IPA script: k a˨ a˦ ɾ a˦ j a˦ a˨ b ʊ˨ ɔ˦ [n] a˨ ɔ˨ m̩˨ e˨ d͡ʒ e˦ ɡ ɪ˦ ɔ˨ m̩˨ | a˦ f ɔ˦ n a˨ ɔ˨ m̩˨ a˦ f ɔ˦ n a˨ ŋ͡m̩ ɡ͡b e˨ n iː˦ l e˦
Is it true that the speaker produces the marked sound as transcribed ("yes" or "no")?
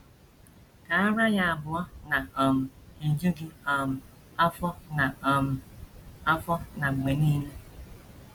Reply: yes